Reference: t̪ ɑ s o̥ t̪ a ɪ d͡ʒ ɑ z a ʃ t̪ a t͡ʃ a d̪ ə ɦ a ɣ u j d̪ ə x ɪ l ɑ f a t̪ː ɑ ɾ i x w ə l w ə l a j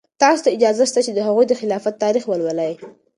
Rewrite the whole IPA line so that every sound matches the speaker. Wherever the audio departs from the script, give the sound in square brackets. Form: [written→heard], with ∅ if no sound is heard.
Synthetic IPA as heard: t̪ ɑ s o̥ t̪ a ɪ d͡ʒ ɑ z a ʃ t̪ a t͡ʃ [a→e] d̪ ə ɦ a ɣ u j d̪ ə x ɪ l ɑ f a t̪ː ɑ ɾ i x w ə l w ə l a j